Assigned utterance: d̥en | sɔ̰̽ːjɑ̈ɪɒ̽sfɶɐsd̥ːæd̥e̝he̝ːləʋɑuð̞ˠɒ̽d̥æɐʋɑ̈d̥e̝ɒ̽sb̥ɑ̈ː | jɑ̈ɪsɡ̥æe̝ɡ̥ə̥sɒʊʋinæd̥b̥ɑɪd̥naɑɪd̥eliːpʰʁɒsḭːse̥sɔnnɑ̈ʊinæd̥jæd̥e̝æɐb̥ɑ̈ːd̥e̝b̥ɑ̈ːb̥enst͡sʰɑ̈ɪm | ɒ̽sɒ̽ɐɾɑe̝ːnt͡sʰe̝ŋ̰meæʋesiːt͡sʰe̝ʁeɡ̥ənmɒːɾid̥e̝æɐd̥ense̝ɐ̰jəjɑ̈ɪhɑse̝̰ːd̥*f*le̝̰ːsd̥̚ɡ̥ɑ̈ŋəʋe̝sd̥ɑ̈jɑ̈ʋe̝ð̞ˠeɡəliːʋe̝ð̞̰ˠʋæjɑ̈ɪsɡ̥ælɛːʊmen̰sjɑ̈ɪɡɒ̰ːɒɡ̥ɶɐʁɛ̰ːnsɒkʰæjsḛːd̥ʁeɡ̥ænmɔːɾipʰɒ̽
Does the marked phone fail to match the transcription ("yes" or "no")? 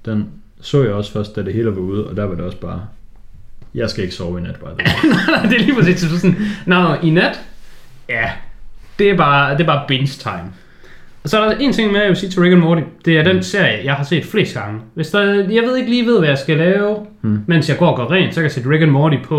no